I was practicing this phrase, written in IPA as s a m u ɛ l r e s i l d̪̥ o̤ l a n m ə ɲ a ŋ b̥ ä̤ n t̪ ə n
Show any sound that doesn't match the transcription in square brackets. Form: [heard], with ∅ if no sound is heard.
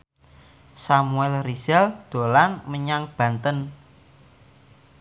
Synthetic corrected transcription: s a m u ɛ l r [i] s [ɛ] l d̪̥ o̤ l a n m ə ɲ a ŋ b̥ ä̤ n t̪ ə n